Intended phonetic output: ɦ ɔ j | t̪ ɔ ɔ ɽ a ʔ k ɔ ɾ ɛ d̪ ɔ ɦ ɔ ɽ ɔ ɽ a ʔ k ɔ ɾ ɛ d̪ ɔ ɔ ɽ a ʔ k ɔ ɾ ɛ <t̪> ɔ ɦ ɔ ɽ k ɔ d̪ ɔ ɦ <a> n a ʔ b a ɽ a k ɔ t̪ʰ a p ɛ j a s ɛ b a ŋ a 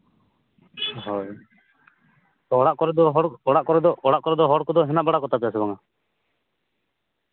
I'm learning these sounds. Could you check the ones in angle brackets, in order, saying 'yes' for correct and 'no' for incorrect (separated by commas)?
no, no